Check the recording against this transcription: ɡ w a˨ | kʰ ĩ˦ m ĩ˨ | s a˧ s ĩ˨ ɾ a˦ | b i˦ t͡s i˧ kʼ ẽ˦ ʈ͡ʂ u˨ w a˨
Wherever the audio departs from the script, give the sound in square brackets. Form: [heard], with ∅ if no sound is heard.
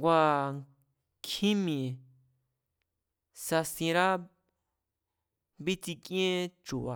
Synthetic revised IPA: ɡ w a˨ | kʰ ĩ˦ m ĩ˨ | s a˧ s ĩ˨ ɾ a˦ | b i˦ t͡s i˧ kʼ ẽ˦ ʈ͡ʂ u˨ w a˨